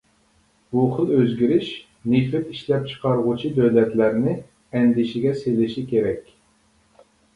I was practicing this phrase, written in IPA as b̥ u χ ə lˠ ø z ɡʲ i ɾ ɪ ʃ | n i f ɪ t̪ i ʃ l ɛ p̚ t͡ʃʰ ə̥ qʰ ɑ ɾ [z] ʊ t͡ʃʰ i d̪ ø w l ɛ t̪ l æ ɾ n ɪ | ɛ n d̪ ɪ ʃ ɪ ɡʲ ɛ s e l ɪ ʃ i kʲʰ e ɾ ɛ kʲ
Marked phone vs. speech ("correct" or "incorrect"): incorrect